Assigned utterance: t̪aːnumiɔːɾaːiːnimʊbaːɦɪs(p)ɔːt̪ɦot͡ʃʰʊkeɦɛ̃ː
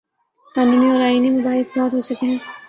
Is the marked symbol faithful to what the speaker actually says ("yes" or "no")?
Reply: no